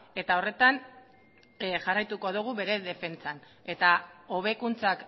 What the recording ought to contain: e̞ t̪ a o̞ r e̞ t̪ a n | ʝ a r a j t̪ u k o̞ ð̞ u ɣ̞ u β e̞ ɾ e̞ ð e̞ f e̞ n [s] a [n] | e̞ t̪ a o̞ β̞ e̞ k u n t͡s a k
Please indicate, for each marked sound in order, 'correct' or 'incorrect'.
incorrect, correct

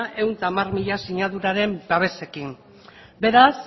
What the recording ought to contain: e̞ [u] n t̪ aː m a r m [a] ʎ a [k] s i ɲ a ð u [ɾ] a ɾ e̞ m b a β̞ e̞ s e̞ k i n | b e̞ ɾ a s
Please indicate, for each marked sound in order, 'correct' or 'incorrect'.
incorrect, incorrect, incorrect, correct

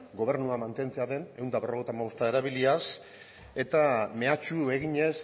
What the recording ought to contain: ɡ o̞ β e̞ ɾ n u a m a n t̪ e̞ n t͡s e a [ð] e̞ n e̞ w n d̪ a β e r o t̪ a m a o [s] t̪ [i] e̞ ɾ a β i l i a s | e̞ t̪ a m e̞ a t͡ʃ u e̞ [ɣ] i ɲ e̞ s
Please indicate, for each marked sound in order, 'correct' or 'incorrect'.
correct, correct, incorrect, correct

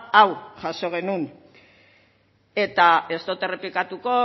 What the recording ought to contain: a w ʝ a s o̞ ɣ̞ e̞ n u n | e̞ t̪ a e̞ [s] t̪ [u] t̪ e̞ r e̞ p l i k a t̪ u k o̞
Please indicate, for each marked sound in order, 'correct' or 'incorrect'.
correct, incorrect

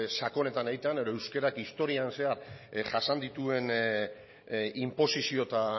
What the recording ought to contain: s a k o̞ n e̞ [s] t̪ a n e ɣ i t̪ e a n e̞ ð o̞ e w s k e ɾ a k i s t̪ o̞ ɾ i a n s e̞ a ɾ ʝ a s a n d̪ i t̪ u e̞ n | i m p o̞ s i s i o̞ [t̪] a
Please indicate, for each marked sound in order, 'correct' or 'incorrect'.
incorrect, correct

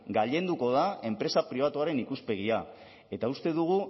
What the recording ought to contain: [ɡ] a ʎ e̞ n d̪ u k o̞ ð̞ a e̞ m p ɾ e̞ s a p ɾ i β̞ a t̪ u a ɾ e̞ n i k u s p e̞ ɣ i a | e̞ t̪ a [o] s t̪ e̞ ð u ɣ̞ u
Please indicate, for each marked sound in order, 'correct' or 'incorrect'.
correct, incorrect

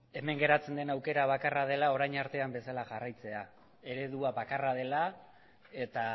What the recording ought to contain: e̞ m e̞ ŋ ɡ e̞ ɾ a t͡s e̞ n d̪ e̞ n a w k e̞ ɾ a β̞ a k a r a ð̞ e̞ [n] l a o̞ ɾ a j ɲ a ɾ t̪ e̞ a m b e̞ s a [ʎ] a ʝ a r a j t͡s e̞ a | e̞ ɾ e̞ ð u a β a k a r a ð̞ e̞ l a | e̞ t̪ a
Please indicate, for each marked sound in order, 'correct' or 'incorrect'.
incorrect, incorrect

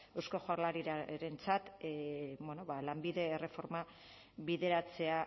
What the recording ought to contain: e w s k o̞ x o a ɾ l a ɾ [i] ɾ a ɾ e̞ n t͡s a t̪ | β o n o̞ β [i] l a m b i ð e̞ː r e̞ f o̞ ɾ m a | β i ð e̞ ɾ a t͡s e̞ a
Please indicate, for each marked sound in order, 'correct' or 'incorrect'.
correct, incorrect

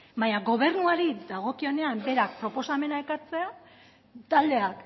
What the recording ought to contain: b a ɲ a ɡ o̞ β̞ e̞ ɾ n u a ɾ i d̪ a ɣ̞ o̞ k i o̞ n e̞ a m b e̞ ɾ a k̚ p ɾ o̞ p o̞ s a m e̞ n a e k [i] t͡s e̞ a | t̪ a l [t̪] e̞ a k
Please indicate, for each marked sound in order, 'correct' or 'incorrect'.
incorrect, incorrect

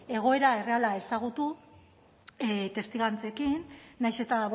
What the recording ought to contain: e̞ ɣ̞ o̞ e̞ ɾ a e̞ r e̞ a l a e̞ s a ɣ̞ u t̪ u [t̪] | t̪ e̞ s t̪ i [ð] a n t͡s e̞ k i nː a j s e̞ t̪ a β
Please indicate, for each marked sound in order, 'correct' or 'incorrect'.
incorrect, incorrect

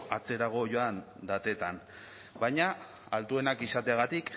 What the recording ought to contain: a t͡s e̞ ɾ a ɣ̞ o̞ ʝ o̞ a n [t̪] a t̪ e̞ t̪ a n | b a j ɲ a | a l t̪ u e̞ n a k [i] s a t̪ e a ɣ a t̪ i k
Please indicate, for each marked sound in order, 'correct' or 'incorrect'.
incorrect, correct

